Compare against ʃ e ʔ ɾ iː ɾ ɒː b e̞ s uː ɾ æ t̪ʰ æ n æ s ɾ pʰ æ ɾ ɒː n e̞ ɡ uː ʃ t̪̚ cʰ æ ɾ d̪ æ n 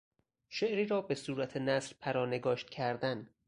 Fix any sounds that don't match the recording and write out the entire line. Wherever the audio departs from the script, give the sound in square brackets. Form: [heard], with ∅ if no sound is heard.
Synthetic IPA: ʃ e ʔ ɾ iː ɾ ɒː b e̞ s uː ɾ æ t̪ʰ [e] n æ s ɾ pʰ æ ɾ ɒː n e̞ ɡ [ɒː] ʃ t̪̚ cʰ æ ɾ d̪ æ n